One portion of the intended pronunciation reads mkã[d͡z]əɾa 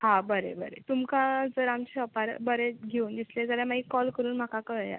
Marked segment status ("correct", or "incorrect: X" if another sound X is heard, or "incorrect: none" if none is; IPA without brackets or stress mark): correct